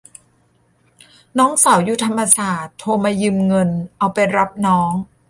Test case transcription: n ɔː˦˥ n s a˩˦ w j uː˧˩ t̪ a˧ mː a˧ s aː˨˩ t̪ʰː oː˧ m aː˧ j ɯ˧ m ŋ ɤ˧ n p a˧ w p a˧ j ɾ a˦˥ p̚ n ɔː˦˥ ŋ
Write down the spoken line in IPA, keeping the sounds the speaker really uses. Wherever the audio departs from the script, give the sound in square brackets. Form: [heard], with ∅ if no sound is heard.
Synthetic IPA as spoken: n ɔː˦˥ [ŋ] s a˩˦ w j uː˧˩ [t̪ʰ] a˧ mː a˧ s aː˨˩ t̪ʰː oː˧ m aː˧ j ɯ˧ m ŋ ɤ˧ n [ʔ] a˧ w p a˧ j ɾ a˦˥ p̚ n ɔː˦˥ ŋ